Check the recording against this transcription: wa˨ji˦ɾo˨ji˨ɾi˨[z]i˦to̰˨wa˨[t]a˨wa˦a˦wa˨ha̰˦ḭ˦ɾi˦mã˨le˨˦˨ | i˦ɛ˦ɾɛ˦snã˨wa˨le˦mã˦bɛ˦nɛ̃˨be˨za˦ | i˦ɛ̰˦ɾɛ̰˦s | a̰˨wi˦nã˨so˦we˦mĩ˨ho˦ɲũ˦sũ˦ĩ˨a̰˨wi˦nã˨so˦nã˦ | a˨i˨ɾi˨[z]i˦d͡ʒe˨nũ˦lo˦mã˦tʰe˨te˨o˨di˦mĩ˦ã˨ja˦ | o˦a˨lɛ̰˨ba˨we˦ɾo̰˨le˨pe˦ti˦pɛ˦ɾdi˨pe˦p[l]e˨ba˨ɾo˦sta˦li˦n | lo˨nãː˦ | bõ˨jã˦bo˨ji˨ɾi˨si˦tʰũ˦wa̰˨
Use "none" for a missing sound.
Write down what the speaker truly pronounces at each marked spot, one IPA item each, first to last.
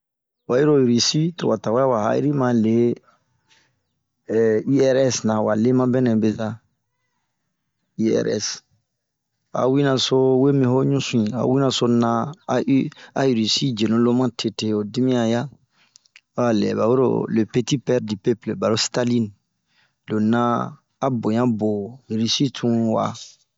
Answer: s, t, s, l

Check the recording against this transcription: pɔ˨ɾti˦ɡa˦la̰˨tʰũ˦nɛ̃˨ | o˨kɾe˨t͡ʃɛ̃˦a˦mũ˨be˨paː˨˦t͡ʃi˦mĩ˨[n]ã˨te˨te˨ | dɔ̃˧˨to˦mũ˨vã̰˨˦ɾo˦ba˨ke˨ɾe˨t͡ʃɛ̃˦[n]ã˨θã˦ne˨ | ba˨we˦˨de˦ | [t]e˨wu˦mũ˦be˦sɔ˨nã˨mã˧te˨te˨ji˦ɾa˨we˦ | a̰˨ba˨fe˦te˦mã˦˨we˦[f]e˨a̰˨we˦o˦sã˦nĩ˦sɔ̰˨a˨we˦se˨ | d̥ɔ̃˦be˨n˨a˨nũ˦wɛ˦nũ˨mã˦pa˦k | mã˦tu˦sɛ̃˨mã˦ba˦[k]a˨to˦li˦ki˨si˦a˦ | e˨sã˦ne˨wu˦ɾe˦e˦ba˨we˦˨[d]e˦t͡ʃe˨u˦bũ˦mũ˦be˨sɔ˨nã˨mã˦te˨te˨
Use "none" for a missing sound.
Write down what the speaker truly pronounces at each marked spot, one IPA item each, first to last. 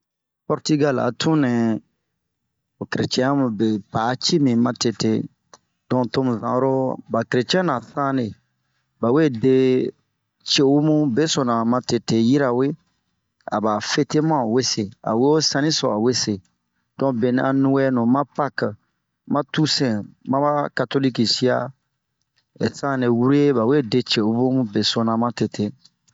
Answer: m, n, t͡ʃ, s, k, d

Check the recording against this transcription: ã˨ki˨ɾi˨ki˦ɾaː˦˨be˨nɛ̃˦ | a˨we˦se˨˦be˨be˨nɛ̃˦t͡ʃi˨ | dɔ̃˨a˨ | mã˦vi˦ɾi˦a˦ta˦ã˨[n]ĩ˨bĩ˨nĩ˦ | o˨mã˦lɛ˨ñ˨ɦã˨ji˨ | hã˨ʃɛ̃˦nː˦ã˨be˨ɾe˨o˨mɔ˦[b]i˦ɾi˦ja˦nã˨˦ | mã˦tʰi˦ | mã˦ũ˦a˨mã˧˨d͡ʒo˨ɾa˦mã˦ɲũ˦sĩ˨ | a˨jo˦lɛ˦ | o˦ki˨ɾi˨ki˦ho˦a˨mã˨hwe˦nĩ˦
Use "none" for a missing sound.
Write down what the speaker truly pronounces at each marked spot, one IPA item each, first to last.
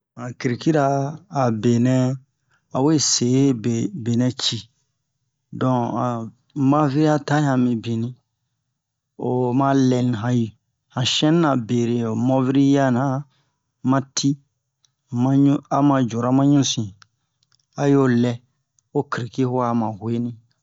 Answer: m, v

